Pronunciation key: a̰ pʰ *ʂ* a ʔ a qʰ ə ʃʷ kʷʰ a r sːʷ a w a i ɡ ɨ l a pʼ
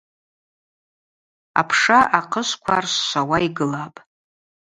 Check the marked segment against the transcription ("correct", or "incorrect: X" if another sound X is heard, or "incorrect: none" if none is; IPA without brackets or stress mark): correct